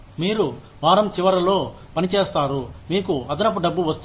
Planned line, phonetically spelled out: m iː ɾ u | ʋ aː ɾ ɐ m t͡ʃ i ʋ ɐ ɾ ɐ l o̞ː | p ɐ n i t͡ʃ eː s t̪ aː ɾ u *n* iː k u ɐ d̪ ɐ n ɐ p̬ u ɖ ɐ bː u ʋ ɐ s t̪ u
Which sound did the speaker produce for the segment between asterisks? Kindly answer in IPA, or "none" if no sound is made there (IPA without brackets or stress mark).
m